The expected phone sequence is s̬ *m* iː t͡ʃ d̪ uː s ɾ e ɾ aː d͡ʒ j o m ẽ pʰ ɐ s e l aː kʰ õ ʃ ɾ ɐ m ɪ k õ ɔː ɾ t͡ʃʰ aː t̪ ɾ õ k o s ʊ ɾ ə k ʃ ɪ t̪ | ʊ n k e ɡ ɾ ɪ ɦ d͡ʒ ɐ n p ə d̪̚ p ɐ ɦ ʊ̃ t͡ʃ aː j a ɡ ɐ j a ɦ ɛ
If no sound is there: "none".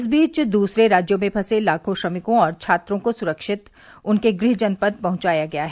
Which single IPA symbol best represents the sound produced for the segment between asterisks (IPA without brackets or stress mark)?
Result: b